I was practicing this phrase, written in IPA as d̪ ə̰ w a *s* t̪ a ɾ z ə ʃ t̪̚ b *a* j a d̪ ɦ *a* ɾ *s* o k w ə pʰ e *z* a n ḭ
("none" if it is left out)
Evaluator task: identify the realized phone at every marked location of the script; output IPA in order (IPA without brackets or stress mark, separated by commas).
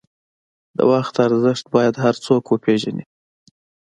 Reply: x, ɑ, a, t͡s, ʒ